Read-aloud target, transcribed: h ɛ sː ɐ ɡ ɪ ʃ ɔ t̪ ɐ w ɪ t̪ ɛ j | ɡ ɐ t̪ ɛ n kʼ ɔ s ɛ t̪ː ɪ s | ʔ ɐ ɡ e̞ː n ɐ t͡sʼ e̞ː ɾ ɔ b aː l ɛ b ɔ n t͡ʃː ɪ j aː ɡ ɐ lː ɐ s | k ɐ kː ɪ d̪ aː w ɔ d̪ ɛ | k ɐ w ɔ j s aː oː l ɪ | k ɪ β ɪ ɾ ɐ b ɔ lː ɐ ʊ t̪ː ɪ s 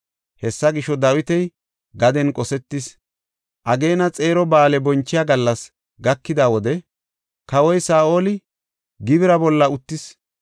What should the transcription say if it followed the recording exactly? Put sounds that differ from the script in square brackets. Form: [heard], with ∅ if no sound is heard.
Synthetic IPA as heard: h ɛ sː ɐ ɡ ɪ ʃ ɔ [d̪] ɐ w ɪ t̪ ɛ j | ɡ ɐ [d̪] ɛ n kʼ ɔ s ɛ t̪ː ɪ s | ʔ ɐ ɡ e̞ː n ɐ t͡sʼ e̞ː ɾ ɔ b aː l ɛ b ɔ n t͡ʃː ɪ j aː ɡ ɐ lː ɐ s | [ɡ] ɐ kː ɪ d̪ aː w ɔ d̪ ɛ | k ɐ w ɔ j s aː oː l ɪ | [ɡ] ɪ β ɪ ɾ ɐ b ɔ lː ɐ ʊ t̪ː ɪ s